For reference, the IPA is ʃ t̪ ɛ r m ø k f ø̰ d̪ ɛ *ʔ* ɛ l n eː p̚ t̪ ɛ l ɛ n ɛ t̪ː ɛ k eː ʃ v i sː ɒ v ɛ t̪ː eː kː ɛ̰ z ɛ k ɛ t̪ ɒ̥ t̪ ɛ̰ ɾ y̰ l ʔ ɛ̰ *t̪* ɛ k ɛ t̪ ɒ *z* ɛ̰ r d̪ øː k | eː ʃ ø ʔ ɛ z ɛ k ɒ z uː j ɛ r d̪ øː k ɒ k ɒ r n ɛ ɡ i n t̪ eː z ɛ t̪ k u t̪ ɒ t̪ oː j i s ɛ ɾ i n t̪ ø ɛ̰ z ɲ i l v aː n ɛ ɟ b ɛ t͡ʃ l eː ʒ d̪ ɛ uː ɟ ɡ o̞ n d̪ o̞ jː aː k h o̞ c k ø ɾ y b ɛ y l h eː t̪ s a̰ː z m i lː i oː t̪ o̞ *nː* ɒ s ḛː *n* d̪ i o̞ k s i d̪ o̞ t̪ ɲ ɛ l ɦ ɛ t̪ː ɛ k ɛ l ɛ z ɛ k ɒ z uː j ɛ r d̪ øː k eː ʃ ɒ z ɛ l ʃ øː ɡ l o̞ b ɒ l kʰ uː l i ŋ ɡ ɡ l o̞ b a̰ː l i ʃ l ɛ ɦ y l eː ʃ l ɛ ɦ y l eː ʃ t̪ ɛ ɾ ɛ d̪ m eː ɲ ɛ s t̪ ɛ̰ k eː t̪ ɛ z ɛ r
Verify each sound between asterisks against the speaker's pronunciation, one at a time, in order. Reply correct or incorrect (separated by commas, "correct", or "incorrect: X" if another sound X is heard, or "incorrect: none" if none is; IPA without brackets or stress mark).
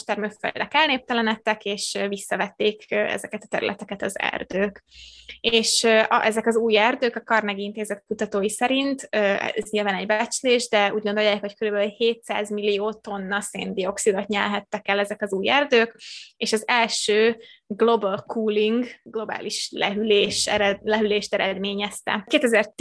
incorrect: k, correct, correct, correct, correct